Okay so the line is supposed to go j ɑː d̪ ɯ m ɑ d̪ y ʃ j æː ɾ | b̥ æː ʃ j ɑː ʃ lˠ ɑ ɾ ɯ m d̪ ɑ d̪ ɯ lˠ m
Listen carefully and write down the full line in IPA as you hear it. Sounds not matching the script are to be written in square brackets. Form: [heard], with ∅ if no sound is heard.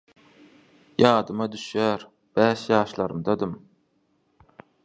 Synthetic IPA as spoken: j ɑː d̪ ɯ m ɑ d̪ y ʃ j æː ɾ | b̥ æː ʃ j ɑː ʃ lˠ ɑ ɾ ɯ m d̪ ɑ d̪ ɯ [∅] m